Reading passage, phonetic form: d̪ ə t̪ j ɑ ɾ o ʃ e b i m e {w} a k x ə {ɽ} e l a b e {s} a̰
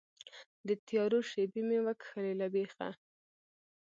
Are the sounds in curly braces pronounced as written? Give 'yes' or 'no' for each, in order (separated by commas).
yes, no, no